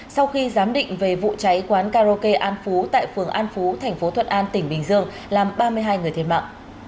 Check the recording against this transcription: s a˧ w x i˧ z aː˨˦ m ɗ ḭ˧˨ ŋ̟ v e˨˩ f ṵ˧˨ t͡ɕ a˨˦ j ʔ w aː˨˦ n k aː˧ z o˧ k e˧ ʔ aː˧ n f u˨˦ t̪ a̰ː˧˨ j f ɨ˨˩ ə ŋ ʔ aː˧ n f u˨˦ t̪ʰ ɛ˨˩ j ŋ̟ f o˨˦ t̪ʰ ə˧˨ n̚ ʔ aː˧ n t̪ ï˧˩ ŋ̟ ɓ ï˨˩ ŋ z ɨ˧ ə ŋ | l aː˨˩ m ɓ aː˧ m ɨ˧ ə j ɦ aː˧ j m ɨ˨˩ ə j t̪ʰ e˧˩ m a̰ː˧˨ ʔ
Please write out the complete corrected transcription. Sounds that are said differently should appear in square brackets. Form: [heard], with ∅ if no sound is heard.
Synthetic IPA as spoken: s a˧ w x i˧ z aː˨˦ m ɗ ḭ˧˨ ŋ̟ v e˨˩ [v] ṵ˧˨ t͡ɕ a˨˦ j [k] w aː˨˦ n k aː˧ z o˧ k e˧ ʔ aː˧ n f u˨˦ t̪ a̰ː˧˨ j f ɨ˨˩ ə ŋ ʔ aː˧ n f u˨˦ t̪ʰ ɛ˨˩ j ŋ̟ f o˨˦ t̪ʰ ə˧˨ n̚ ʔ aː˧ n t̪ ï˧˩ ŋ̟ ɓ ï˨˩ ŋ z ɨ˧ ə ŋ | l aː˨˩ m ɓ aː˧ m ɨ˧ ə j ɦ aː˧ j [ŋ] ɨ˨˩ ə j t̪ʰ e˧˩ m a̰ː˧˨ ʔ